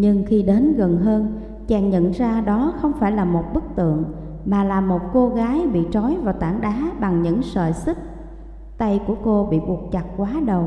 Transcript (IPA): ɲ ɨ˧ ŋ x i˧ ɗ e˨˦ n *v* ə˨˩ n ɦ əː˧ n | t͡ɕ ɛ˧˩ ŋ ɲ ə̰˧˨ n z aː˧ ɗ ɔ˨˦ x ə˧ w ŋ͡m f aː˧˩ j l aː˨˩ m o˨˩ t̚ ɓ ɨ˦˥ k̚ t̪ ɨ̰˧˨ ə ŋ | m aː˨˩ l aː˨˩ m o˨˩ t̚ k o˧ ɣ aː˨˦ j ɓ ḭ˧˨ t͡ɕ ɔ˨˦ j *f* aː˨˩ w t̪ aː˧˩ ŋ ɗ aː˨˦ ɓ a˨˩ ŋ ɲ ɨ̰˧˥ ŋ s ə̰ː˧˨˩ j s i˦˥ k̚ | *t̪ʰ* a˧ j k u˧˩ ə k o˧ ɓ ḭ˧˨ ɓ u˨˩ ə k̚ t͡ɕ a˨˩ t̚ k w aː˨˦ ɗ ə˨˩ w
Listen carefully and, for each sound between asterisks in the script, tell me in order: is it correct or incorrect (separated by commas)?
incorrect, incorrect, incorrect